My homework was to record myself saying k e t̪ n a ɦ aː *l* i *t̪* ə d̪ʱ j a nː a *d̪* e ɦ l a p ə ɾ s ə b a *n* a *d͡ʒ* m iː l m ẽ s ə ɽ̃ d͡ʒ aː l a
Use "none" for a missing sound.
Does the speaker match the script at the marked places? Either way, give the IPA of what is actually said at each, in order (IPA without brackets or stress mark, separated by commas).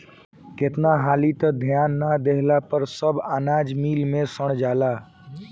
l, t̪, d̪, n, d͡ʒ